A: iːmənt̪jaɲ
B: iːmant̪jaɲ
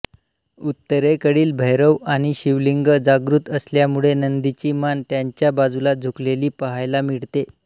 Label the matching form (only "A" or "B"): B